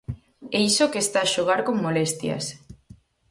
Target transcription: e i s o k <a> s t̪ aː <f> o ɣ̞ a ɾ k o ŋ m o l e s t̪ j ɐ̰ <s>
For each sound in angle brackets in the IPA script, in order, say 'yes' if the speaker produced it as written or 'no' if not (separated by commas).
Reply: no, no, yes